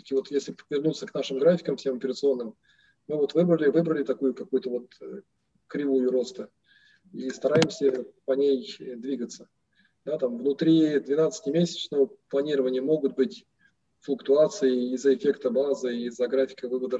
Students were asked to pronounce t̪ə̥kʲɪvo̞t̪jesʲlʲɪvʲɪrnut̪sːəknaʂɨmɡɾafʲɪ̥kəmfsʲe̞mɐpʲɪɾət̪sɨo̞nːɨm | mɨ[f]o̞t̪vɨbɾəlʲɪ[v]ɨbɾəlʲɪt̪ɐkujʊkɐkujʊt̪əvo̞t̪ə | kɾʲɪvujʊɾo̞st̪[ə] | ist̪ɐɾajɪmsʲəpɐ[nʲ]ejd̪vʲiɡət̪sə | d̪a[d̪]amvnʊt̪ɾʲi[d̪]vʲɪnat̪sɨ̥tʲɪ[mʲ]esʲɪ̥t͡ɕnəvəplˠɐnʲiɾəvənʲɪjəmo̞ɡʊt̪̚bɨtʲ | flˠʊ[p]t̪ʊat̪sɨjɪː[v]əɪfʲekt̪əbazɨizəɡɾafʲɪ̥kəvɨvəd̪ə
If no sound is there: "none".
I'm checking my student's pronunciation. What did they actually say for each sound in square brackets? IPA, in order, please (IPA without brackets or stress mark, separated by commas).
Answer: v, v, ə, nʲ, t̪, d̪, mʲ, k, z